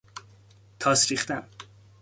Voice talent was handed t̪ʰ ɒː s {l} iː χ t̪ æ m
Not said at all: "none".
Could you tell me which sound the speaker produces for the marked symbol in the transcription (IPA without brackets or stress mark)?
ɾ